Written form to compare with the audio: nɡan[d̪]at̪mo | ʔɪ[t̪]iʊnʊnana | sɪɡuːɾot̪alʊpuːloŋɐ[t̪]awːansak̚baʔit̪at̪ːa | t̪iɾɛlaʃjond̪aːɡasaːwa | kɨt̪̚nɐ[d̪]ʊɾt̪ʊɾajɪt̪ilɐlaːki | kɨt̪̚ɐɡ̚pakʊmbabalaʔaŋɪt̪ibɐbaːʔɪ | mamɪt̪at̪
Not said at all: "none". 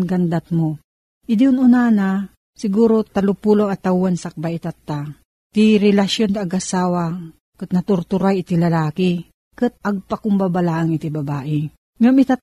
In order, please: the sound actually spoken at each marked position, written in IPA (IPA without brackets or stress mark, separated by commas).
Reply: d̪, d̪, t̪, t̪